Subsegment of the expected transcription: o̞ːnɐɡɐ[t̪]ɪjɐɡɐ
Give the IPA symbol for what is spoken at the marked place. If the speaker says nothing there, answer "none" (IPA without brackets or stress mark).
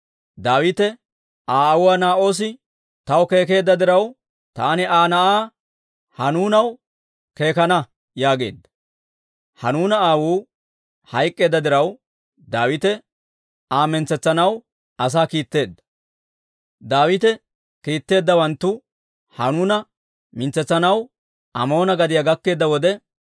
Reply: d̪